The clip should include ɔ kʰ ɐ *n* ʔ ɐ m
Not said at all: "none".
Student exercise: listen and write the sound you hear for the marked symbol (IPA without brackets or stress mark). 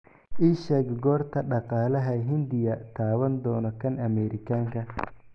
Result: n